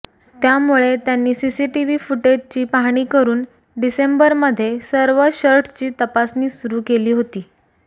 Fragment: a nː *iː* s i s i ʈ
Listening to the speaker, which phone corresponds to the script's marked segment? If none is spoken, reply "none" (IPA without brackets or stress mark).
iː